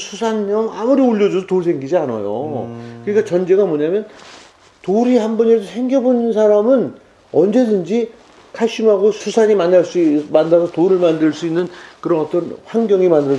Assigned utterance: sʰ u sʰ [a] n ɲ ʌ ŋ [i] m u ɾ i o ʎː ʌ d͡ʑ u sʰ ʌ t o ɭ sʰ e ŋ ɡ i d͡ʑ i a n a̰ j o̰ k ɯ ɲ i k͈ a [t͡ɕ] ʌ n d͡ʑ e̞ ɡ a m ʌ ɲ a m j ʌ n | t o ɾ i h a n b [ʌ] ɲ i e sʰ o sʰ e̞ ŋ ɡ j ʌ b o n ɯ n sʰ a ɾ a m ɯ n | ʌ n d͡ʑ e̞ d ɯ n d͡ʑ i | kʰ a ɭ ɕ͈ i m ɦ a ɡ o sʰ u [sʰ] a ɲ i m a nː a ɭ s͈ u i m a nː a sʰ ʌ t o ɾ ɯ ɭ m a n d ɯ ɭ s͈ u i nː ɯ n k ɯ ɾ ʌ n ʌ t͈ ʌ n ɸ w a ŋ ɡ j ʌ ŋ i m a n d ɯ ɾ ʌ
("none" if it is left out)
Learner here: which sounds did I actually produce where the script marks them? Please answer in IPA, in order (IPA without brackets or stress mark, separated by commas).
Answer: a, a, t͡ɕ, ʌ, sʰ